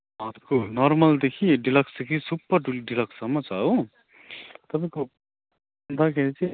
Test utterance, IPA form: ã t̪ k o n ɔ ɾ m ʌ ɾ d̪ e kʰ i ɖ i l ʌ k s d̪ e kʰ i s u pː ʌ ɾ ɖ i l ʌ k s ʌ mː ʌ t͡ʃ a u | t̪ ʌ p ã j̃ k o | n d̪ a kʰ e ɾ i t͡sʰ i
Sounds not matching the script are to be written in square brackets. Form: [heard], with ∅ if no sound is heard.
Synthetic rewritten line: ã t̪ k o n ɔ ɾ m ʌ [l] d̪ e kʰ i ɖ i l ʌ k s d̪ e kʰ i s u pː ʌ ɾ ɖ i l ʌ k s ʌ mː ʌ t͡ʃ a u | t̪ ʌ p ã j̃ k o | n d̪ a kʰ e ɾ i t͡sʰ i